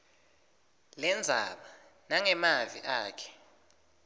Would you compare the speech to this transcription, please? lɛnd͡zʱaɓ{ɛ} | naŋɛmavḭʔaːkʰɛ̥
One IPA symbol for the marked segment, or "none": a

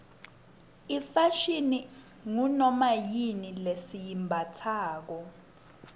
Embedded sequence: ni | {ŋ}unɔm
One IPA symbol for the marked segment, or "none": ŋ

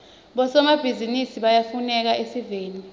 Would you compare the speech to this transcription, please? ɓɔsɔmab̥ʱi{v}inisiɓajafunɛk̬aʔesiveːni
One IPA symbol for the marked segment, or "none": z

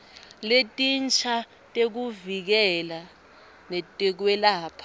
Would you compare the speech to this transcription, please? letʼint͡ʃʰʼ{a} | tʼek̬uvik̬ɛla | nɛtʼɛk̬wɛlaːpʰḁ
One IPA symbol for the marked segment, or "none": a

